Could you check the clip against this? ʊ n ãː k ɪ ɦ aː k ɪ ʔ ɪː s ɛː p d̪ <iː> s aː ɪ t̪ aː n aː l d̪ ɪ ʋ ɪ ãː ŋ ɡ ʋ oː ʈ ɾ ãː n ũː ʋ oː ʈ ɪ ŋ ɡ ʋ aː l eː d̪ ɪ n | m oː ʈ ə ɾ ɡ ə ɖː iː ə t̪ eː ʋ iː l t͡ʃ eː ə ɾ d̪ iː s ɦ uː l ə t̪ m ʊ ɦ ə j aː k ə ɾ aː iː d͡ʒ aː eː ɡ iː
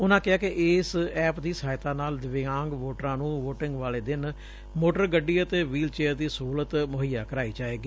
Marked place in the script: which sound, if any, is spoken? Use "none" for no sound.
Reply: iː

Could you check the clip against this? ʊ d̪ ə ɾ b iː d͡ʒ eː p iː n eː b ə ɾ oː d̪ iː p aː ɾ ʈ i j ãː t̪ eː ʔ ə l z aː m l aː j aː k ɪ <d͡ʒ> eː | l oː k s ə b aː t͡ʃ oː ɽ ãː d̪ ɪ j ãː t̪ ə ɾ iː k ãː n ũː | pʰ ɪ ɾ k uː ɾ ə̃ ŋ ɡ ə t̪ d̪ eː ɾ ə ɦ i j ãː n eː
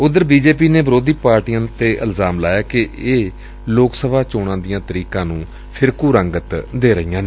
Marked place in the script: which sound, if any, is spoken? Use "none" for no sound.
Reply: none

